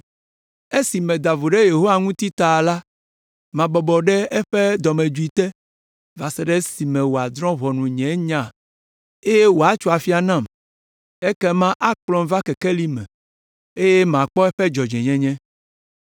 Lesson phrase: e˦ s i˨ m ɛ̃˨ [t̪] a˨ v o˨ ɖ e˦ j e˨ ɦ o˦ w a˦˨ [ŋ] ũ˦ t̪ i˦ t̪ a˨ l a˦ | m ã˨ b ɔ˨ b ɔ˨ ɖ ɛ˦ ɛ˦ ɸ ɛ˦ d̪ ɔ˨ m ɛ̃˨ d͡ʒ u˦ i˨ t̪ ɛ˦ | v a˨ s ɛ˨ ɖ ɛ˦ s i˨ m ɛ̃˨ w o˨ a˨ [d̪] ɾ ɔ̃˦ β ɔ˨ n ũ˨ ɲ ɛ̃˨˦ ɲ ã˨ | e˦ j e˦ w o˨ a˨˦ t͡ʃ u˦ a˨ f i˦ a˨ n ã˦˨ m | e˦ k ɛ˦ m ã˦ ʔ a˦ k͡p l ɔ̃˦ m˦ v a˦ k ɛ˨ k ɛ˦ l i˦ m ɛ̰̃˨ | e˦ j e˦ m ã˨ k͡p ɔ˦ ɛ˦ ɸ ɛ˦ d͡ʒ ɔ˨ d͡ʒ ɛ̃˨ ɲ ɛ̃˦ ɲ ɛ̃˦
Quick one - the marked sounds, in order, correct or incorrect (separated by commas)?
incorrect, correct, correct